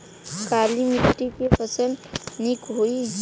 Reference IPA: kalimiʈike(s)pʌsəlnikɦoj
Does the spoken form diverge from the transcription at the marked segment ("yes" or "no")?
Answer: yes